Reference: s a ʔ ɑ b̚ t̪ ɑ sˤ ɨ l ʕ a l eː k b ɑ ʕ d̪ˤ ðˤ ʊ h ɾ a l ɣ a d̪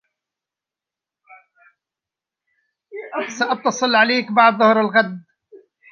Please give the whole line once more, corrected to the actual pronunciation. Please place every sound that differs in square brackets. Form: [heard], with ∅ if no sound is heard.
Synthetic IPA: s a ʔ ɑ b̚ t̪ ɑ sˤ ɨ l ʕ a l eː k b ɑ ʕ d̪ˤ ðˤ ʊ h ɾ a l ɣ a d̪